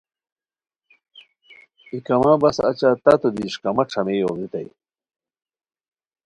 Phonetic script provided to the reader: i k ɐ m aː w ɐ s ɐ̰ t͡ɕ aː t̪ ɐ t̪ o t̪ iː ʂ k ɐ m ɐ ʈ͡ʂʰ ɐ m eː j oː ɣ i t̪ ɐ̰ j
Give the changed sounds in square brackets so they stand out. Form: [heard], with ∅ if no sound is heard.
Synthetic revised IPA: i k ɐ m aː [b] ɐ s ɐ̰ t͡ɕ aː t̪ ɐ t̪ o [d̪] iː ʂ k ɐ m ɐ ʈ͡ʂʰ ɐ m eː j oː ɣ i t̪ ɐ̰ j